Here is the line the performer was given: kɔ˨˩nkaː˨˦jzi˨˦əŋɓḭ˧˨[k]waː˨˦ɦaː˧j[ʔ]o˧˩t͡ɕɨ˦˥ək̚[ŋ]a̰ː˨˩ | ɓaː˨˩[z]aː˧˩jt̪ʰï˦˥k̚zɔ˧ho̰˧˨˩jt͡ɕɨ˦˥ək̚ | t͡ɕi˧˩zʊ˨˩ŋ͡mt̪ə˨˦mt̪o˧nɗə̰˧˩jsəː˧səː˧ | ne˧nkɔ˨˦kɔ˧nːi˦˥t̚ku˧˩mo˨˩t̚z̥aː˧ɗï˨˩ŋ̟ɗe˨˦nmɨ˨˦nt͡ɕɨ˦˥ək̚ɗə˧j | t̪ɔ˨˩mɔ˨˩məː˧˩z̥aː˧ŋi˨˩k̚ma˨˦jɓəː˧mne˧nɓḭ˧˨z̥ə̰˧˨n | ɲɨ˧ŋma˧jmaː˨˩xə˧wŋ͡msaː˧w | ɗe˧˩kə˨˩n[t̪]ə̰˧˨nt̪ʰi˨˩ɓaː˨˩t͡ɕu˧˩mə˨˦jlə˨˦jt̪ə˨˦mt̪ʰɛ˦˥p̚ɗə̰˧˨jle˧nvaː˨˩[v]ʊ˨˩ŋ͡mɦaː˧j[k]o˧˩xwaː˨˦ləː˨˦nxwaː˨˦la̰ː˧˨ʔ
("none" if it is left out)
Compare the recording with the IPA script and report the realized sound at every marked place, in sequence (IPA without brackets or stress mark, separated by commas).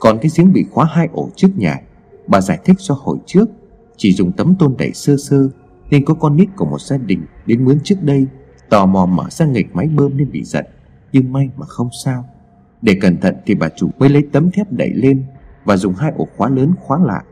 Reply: x, ʔ, ɲ, z, t̪ʰ, z, ʔ